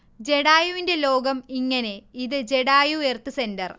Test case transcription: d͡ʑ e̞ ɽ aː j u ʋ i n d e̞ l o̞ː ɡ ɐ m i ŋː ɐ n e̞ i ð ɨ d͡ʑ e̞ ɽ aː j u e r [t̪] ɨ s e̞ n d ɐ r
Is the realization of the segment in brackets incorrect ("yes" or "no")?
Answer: no